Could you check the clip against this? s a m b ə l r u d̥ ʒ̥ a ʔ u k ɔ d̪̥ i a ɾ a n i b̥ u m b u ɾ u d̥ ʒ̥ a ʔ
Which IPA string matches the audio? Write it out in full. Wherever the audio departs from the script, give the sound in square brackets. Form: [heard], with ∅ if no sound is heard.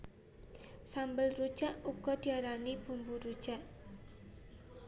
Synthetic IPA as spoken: s a m b ə l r u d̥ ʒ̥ a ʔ u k ɔ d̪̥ i a ɾ a n i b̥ u m b u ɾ u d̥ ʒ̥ a ʔ